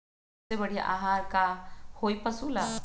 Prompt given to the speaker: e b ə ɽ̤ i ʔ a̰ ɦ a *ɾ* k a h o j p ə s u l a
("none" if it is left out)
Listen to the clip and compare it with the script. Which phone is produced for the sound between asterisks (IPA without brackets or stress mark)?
ɾ